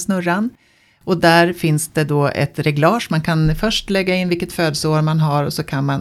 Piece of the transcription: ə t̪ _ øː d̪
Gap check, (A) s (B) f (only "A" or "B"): B